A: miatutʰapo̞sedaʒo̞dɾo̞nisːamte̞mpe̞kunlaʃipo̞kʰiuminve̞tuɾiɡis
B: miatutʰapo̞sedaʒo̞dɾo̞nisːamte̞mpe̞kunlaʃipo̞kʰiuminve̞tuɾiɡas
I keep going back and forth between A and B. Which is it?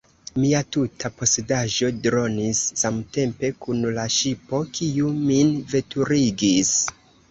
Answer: A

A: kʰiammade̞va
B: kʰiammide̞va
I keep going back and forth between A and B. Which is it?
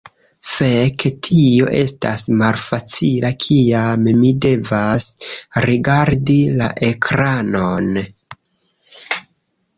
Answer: B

